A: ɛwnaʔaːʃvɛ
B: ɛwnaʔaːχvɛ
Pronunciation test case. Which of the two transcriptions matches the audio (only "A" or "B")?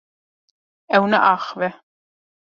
B